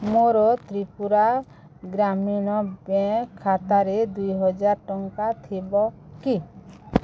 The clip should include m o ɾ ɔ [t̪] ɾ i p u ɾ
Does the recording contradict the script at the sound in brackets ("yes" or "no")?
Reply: no